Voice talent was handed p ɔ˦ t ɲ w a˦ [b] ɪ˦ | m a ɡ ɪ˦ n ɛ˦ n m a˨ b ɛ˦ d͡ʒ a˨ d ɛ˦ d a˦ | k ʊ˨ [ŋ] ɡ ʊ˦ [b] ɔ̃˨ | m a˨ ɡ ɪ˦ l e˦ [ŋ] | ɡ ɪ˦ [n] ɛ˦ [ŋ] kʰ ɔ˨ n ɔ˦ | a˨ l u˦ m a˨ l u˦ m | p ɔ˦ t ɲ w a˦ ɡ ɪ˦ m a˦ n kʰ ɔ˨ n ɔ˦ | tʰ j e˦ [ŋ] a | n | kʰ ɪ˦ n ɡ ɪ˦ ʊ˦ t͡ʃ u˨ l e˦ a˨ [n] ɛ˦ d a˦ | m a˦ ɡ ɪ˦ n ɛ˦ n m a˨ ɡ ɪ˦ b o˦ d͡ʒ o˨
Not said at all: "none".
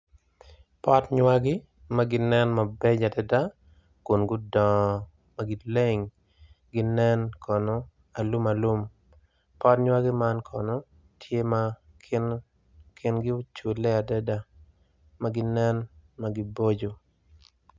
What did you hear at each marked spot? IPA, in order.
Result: ɡ, n, d, ŋ, n, n, m, d

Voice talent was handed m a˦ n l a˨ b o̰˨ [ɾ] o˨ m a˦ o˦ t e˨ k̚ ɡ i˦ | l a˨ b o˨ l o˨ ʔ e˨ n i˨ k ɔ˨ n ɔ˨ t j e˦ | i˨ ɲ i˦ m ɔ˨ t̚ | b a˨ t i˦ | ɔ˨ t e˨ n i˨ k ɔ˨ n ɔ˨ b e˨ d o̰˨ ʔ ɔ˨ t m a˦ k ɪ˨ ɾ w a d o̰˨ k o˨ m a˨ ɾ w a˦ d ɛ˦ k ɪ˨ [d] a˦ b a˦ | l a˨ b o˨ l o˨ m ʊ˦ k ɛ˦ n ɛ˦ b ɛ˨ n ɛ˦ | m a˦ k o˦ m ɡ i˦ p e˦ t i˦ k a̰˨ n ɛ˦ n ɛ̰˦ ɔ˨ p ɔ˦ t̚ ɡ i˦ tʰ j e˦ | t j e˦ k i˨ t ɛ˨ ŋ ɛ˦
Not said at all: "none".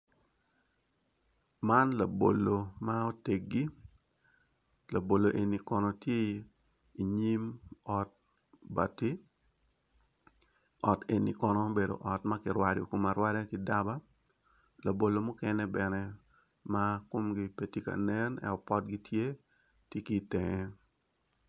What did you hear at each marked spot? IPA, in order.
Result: l, d

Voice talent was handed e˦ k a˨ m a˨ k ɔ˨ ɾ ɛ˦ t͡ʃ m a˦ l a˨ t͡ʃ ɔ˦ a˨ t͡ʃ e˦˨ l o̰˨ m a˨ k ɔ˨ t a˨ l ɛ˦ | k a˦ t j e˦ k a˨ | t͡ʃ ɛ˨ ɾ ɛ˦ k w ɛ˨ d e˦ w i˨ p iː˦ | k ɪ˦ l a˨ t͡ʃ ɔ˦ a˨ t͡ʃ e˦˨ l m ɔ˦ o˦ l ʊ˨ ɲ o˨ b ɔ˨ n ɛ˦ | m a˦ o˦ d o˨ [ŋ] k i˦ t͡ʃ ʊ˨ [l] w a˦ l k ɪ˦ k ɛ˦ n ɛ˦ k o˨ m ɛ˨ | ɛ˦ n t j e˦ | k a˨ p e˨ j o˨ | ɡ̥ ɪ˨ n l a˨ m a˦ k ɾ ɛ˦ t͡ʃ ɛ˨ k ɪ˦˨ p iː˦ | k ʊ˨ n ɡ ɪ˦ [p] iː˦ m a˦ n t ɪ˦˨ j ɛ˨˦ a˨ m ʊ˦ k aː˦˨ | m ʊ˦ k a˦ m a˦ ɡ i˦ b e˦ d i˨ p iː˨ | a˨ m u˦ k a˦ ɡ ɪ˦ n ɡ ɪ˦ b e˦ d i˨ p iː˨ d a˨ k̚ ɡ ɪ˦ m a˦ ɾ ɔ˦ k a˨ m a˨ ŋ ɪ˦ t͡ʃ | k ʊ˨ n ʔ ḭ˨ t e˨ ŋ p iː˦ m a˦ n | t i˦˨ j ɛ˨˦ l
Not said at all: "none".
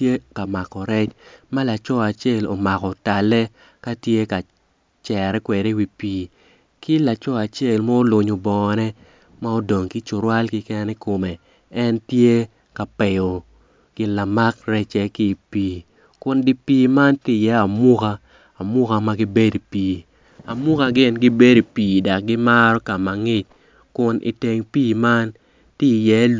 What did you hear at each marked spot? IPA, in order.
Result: ŋ, ɾ, p

